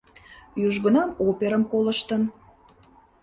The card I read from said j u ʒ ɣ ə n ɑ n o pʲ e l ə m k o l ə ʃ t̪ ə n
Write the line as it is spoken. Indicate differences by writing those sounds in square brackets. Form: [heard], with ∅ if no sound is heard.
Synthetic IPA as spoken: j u ʒ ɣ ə n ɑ [m] o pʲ e [ɾ] ə m k o l ə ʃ t̪ ə n